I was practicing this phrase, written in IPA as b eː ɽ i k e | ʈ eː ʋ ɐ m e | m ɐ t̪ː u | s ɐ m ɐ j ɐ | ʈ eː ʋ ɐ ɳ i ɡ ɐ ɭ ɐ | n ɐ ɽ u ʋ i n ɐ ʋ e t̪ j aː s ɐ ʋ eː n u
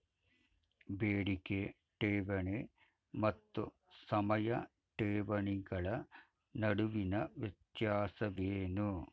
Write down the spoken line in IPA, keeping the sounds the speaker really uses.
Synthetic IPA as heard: b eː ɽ i k e | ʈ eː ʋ ɐ ɳ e | m ɐ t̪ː u | s ɐ m ɐ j ɐ | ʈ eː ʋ ɐ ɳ i ɡ ɐ ɭ ɐ | n ɐ ɽ u ʋ i n ɐ ʋ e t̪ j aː s ɐ ʋ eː n u